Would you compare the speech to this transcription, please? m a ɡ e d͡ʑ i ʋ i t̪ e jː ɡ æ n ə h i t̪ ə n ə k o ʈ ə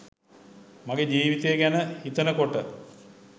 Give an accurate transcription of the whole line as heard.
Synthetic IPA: m a ɡ e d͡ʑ iː ʋ i t̪ e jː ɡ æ n ə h i t̪ ə n ə k o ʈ ə